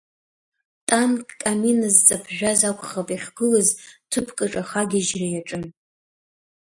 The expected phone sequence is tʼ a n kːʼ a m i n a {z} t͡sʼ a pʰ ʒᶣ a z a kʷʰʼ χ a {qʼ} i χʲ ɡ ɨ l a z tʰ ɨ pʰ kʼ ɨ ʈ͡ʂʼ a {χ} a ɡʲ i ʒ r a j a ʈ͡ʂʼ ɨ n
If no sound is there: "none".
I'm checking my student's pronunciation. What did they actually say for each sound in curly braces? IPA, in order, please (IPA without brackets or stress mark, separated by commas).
z, pʼ, χ